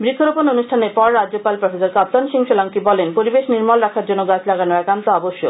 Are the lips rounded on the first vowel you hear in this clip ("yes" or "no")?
no